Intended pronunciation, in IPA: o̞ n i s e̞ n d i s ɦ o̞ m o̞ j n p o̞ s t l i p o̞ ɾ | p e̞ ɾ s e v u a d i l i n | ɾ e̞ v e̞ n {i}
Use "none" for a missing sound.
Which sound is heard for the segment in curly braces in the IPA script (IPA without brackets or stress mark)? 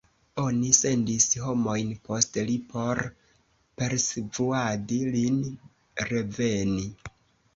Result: i